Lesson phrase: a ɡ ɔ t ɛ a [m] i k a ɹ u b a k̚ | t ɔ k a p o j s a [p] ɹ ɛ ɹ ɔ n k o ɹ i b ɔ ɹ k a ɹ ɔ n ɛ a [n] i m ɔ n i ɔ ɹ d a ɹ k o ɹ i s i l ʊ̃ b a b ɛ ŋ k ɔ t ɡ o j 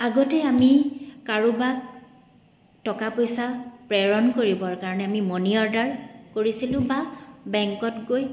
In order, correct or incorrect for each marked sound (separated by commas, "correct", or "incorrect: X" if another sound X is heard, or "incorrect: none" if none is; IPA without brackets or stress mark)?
correct, correct, incorrect: m